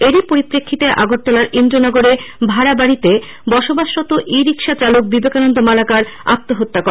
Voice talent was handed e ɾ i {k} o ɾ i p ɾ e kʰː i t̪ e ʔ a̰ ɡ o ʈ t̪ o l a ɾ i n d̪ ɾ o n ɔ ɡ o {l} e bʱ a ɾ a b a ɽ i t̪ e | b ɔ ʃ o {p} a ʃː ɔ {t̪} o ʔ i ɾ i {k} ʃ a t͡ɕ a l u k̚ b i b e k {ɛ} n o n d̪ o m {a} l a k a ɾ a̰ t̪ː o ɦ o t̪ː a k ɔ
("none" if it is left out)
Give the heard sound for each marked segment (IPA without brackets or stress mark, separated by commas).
p, ɾ, b, t̪, k, a, a